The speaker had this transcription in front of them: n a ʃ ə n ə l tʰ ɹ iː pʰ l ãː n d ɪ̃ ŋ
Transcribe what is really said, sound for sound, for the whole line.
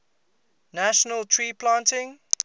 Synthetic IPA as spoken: n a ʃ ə n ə l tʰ ɹ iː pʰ l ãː n t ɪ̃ ŋ